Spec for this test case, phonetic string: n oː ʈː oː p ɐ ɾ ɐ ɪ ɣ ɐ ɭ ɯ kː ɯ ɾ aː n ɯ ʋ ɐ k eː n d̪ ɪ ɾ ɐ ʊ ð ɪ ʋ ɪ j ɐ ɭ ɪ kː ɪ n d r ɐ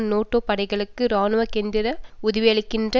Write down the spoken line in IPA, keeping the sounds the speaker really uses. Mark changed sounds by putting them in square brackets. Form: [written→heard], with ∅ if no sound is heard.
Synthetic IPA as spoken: n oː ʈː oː p ɐ [ɾ→ɽ] ɐ ɪ ɣ ɐ ɭ ɯ kː ɯ ɾ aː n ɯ ʋ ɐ k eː n d̪ ɪ ɾ ɐ ʊ ð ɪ ʋ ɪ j ɐ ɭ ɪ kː ɪ n d r ɐ